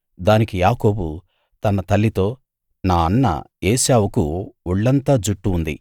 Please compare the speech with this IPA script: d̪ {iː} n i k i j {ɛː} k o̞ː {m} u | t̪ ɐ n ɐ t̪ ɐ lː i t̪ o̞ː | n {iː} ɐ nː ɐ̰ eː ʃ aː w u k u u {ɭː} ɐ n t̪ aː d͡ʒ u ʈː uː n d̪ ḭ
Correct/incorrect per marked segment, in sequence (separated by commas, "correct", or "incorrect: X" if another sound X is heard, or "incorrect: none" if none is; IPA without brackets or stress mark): incorrect: aː, incorrect: aː, incorrect: b, incorrect: aː, correct